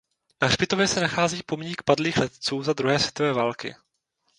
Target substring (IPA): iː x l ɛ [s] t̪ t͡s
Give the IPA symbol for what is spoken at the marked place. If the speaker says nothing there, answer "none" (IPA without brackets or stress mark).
none